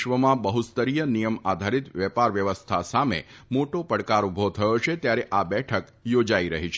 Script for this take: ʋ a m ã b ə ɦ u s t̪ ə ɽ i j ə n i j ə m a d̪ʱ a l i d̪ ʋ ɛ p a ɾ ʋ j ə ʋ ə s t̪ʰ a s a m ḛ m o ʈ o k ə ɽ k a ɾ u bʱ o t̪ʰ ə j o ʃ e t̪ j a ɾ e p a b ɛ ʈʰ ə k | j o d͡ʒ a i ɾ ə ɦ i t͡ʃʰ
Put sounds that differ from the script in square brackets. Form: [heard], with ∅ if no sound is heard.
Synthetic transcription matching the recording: ʋ [ə] m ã b ə ɦ u s t̪ ə [ɾ] i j ə n i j ə m a d̪ʱ a [ɾ] i [t̪] ʋ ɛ p a ɾ ʋ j ə ʋ ə s t̪ʰ a s a m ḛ m o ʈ o [p] ə ɽ k a ɾ u bʱ o t̪ʰ ə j o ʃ e t̪ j a ɾ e [ʔ] a b ɛ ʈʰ ə k | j o d͡ʒ a i ɾ ə ɦ i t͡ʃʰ